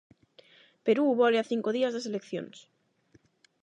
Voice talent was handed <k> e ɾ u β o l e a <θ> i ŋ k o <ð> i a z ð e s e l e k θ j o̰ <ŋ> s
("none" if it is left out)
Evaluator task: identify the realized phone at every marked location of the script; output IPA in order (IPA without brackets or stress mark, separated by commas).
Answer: p, θ, ð, n